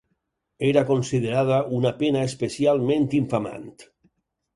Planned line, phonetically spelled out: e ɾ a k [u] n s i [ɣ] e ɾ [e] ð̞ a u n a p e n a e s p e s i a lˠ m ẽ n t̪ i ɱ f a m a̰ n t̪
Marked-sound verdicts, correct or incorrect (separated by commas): incorrect, incorrect, incorrect